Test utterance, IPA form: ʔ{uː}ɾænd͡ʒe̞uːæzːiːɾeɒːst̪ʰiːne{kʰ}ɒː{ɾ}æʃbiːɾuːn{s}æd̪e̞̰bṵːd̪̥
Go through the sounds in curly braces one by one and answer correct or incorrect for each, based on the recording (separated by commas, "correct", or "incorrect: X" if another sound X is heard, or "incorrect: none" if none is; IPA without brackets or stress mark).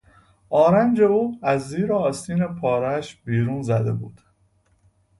incorrect: ɒː, incorrect: pʰ, correct, incorrect: z